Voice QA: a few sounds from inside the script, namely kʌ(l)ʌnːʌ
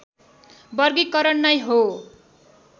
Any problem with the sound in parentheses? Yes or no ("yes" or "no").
yes